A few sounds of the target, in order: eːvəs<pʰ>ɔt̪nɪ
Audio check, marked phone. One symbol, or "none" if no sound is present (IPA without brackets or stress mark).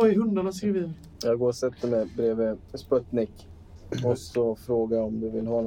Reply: p